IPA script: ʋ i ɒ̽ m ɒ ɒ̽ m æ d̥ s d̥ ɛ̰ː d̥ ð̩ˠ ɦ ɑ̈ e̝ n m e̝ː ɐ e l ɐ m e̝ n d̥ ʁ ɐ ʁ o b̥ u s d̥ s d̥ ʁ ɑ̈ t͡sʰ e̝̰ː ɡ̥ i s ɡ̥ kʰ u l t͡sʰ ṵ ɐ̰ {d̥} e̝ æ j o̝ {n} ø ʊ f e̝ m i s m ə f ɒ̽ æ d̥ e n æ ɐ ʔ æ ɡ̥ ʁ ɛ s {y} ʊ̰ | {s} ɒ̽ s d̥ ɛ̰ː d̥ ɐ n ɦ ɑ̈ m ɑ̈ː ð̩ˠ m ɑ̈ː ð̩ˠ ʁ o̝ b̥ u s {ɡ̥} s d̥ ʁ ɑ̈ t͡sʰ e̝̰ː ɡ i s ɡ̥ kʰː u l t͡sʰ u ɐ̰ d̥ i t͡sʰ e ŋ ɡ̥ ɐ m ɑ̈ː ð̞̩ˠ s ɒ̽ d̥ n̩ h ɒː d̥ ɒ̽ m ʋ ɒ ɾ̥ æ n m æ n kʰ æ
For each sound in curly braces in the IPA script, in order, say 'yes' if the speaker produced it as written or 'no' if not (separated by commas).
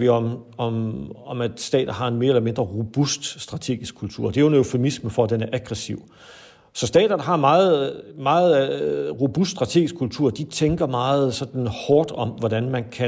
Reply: yes, yes, no, yes, no